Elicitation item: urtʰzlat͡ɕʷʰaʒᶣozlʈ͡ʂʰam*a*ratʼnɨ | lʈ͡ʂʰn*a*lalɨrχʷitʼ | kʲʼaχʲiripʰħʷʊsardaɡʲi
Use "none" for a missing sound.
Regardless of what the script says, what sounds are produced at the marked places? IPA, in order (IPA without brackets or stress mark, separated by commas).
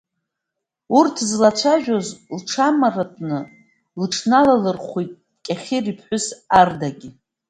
a, a